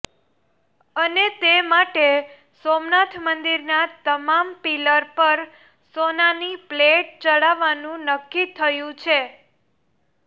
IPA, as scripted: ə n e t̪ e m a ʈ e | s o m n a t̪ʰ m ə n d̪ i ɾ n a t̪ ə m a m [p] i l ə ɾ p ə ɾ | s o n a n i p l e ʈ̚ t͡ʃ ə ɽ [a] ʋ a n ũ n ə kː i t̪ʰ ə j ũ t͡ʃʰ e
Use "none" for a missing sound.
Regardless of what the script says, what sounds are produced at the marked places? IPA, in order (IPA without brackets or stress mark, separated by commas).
p, a